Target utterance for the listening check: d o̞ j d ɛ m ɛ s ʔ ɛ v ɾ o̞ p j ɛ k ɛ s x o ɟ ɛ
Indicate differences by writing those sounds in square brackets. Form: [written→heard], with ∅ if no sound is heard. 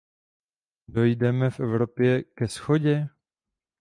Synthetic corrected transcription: d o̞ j d ɛ m ɛ [s→f] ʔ ɛ v ɾ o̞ p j ɛ k ɛ s x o ɟ ɛ